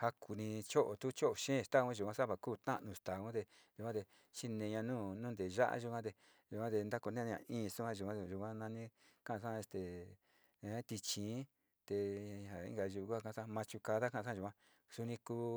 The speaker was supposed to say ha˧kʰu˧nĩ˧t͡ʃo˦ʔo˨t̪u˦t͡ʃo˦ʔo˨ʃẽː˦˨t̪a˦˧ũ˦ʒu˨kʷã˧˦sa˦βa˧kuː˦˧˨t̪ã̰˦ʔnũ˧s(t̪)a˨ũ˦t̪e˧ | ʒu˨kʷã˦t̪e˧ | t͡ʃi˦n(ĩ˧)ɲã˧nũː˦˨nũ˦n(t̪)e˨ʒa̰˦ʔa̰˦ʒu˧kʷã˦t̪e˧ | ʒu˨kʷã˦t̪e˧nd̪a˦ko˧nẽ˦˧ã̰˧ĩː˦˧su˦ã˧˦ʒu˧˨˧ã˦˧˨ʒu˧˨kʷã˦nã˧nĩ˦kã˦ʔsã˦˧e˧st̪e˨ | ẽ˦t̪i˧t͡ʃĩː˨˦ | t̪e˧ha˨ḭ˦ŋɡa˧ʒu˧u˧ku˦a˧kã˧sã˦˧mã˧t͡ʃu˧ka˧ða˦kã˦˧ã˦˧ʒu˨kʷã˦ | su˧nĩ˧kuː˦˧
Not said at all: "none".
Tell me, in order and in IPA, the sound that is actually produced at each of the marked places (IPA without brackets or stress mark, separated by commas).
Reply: t̪, ẽ˧, d̪